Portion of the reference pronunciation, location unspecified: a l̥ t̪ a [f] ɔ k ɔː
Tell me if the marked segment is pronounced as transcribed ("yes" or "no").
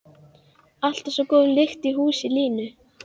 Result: no